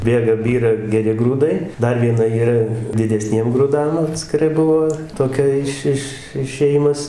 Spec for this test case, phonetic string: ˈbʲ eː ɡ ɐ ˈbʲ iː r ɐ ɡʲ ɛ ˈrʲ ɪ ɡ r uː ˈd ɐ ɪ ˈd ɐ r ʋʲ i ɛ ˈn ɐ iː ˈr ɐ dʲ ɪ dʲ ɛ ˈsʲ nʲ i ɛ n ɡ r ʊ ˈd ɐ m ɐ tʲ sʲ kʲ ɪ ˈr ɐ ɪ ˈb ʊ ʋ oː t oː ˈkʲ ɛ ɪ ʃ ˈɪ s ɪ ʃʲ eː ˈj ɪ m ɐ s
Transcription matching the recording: ˈbʲ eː ɡ ɐ ˈbʲ iː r ɐ ɡʲ ɛ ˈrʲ ɪ ɡ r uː ˈd ɐ ɪ ˈd ɐ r ʋʲ i ɛ ˈn ɐ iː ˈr ɐ dʲ ɪ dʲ ɛ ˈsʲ nʲ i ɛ m ɡ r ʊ ˈd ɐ m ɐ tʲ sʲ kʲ ɪ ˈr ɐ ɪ ˈb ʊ ʋ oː t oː ˈkʲ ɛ ɪ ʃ ˈɪ ʃ ɪ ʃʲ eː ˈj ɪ m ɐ s